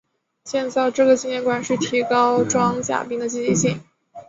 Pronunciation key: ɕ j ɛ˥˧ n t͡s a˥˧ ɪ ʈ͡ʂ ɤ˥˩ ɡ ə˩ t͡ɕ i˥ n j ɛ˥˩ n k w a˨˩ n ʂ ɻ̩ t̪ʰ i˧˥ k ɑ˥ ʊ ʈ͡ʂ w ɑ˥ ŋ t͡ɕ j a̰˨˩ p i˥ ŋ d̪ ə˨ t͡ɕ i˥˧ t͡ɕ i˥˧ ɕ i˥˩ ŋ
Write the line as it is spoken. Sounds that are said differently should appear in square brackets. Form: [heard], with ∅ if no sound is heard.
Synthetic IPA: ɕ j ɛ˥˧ n t͡s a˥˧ ɪ ʈ͡ʂ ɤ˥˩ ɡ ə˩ t͡ɕ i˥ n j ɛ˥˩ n k w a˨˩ n ʂ ɻ̩ t̪ʰ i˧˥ k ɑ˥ ʊ ʈ͡ʂ w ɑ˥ ŋ t͡ɕ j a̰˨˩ p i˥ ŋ d̪ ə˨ t͡ɕ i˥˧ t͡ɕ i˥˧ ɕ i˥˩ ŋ